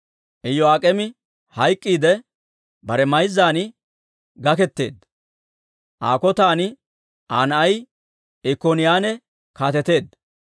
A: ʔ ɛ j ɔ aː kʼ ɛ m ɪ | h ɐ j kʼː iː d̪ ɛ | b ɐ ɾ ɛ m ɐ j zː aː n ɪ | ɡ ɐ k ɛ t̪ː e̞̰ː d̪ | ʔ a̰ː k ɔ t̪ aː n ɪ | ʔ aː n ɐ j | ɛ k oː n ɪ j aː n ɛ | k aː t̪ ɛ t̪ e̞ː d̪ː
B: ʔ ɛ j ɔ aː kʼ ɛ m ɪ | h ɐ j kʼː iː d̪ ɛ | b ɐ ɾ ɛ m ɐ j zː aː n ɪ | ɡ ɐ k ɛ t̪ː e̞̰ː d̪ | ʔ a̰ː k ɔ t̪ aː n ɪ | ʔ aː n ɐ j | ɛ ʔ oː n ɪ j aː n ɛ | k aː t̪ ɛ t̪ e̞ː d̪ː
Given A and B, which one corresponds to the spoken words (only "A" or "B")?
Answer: A